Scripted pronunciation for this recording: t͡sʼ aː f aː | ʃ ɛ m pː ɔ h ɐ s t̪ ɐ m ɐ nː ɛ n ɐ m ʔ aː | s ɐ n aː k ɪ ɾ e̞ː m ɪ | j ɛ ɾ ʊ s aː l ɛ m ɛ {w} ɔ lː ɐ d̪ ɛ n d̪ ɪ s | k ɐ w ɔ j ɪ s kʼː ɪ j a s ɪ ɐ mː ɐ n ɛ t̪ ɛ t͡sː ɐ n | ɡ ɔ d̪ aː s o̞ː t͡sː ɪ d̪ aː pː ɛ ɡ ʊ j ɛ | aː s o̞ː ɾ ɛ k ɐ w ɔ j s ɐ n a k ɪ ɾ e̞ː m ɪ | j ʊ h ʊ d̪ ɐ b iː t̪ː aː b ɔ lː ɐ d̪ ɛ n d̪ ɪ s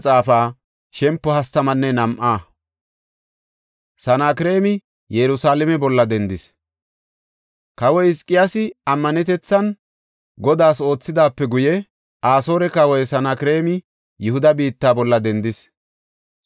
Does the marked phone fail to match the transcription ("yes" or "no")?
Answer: yes